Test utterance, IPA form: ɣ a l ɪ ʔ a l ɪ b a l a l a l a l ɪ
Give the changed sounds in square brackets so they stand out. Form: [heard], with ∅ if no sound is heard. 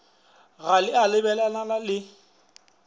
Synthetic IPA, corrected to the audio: ɣ a l ɪ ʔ a l ɪ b [ɛ] l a l a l a l ɪ